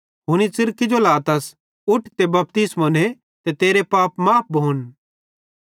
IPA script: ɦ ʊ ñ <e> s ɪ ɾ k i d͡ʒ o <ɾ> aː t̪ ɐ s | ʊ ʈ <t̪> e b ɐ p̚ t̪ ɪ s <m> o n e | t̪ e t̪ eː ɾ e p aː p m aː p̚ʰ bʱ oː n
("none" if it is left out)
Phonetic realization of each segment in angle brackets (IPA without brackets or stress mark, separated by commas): i, l, t̪, m